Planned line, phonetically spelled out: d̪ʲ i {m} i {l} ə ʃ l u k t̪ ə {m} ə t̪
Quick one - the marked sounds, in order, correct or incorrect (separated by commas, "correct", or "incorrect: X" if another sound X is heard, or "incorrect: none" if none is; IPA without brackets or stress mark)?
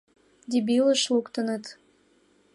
incorrect: b, correct, incorrect: n